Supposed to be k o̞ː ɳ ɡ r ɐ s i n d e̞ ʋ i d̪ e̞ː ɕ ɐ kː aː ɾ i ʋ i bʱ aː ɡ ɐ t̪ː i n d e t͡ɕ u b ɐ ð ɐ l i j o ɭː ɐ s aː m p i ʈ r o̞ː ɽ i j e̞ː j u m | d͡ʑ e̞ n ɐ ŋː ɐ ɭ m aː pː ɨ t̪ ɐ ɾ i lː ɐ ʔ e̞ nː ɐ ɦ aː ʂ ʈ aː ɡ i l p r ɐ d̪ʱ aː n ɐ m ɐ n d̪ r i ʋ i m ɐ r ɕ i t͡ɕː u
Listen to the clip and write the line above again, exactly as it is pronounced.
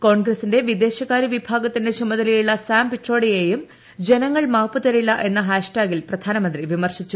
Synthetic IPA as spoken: k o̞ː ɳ ɡ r ɐ s i n d e̞ ʋ i d̪ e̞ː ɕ ɐ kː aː ɾ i ʋ i bʱ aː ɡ ɐ t̪ː i n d e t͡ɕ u m ɐ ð ɐ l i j u ɭː ɐ s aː m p i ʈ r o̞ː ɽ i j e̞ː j u m | d͡ʑ e̞ n ɐ ŋː ɐ ɭ m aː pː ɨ t̪ ɐ ɾ i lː ɐ ʔ e̞ nː ɐ ɦ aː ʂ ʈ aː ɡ i l p r ɐ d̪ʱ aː n ɐ m ɐ n d̪ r i ʋ i m ɐ r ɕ i t͡ɕː u

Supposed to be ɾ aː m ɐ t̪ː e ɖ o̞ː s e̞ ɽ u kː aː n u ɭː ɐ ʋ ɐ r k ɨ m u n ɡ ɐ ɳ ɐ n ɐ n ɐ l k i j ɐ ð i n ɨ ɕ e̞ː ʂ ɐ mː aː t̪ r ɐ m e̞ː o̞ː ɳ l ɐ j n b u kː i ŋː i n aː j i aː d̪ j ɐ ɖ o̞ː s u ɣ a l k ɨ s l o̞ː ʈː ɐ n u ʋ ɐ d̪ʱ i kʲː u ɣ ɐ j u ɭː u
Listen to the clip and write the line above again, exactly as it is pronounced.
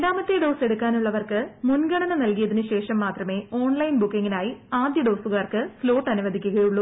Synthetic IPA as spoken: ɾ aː m ɐ t̪ː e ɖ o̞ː s e̞ ɽ u kː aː n u ɭː ɐ ʋ ɐ r k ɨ m u n ɡ ɐ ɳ ɐ n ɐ n ɐ l k i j ɐ ð i n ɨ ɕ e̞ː ʂ ɐ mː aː t̪ r ɐ m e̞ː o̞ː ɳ l ɐ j n b u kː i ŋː i n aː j i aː d̪ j ɐ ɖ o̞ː s u ɣ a r k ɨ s l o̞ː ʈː ɐ n u ʋ ɐ d̪ʱ i kʲː u ɣ ɐ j u ɭː u

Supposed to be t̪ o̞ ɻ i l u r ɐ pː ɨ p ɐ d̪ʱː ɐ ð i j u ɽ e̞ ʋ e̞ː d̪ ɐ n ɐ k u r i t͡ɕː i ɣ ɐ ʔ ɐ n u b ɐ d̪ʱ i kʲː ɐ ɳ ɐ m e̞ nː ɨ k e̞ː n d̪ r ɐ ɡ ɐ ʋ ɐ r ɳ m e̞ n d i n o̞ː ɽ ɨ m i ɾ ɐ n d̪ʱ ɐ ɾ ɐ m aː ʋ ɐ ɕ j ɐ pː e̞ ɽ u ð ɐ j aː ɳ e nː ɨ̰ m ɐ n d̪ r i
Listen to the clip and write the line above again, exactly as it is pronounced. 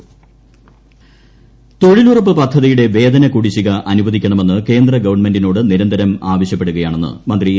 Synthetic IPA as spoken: t̪ o̞ ɻ i l u r ɐ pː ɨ p ɐ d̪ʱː ɐ ð i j u ɽ e̞ ʋ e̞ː d̪ ɐ n ɐ k u ɽ i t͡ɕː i ɣ ɐ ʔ ɐ n u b ɐ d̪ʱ i kʲː ɐ ɳ ɐ m e̞ nː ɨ k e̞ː n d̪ r ɐ ɡ ɐ ʋ ɐ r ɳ m e̞ n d i n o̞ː ɽ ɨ n i ɾ ɐ n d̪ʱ ɐ ɾ ɐ m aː ʋ ɐ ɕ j ɐ pː e̞ ɽ u ɣ ɐ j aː ɳ e nː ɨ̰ m ɐ n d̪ r i

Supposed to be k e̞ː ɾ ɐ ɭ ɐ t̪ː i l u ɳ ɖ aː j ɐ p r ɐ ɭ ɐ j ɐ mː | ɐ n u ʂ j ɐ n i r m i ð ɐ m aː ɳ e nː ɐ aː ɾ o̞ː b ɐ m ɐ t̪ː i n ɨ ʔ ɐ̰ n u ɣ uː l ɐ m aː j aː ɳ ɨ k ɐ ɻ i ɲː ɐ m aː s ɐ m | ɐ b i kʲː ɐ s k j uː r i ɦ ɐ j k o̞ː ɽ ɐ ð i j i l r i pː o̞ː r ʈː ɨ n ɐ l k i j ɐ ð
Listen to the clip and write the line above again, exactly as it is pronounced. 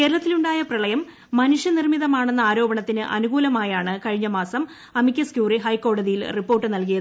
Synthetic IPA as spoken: k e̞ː ɾ ɐ ɭ ɐ t̪ː i l u ɳ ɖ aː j ɐ p r ɐ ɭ ɐ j ɐ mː | ɐ n u ʂ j ɐ n i r m i ð ɐ m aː ɳ e nː ɐ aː ɾ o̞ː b ɐ ɳ ɐ t̪ː i n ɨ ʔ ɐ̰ n u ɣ uː l ɐ m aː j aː ɳ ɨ k ɐ ɻ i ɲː ɐ m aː s ɐ m | ɐ m i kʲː ɐ s k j uː r i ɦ ɐ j k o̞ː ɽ ɐ ð i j i l r i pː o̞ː r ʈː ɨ n ɐ l k i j ɐ ð

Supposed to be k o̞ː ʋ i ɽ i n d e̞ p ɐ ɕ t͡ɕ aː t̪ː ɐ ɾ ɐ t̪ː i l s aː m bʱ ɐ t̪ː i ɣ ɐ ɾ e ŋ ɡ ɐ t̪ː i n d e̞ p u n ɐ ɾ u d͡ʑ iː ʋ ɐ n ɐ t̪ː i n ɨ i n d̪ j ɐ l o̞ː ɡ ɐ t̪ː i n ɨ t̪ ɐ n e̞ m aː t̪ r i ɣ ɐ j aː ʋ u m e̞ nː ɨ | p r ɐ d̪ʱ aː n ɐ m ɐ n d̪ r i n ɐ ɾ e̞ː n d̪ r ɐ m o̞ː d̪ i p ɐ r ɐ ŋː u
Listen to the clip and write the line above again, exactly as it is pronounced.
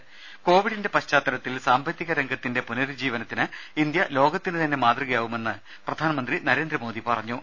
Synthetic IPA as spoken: k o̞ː ʋ i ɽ i n d e̞ p ɐ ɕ t͡ɕ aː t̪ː ɐ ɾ ɐ t̪ː i l s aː m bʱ ɐ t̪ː i ɣ ɐ ɾ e ŋ ɡ ɐ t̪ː i n d e̞ p u n ɐ ɾ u d͡ʑ iː ʋ ɐ n ɐ t̪ː i n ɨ i n d̪ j ɐ l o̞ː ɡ ɐ t̪ː i n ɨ t̪ ɐ nː e̞ m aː t̪ r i ɣ ɐ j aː ʋ u m e̞ nː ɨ | p r ɐ d̪ʱ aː n ɐ m ɐ n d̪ r i n ɐ ɾ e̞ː n d̪ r ɐ m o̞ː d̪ i p ɐ r ɐ ɲː u

